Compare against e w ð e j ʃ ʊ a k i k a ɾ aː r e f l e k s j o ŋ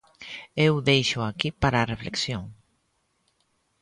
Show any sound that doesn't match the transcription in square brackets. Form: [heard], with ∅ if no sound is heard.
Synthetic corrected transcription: e w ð e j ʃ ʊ a k i [p] a ɾ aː r e f l e k s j o ŋ